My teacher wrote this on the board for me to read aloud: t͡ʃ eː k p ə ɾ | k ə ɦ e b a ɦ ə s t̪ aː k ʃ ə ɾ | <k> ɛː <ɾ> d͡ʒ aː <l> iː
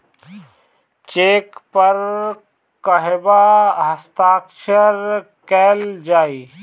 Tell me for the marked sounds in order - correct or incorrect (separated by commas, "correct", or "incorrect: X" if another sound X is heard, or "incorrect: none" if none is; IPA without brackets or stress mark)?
correct, incorrect: l, incorrect: none